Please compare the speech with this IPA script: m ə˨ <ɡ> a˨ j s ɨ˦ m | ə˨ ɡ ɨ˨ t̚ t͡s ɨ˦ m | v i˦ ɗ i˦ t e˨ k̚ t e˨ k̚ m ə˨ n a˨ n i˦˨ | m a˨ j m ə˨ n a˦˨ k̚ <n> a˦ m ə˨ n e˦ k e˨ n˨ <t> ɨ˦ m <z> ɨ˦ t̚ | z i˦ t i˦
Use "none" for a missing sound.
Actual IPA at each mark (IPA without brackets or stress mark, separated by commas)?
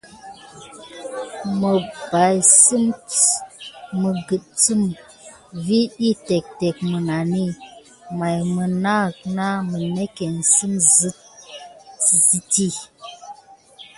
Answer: b, n, s, z